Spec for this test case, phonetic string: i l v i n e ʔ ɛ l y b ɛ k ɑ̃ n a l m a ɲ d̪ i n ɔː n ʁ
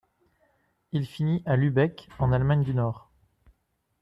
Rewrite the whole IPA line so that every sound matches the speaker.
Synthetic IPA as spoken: i l f i n i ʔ a l y b ɛ k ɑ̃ n a l m a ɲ d̪ y n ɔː ʁ